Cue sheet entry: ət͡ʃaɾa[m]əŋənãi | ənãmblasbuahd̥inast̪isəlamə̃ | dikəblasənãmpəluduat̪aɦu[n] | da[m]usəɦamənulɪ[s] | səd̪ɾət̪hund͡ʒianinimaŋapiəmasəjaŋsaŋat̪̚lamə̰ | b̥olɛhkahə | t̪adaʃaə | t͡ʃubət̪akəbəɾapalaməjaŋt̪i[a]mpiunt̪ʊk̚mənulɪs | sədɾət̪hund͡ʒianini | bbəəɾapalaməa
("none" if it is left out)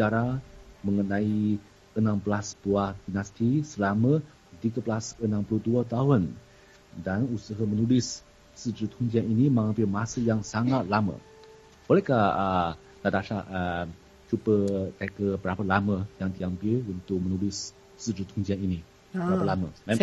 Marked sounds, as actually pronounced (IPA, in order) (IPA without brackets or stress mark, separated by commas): m, n, n, s, a